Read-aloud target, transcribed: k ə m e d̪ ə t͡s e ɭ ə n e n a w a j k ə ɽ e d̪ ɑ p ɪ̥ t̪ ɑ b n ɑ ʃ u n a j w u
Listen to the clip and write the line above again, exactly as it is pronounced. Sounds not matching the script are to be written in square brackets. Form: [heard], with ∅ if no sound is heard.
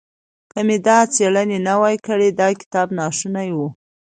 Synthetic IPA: k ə m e d̪ [ɑ] t͡s e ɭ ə n e n a w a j k ə ɽ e d̪ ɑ [k] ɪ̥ t̪ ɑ b n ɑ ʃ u n a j w u